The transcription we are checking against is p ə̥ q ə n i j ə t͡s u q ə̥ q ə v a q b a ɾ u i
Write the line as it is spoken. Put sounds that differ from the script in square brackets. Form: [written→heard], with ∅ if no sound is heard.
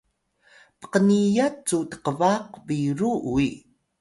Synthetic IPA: p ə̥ q ə n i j [ə→a] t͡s u [q→t] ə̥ q ə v a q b [a→i] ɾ u i